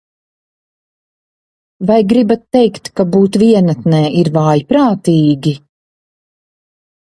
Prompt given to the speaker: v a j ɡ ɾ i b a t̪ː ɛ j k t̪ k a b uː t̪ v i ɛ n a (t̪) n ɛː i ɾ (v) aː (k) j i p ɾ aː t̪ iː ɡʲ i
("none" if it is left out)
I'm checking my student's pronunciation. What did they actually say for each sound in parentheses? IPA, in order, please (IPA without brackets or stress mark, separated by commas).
t̪, v, none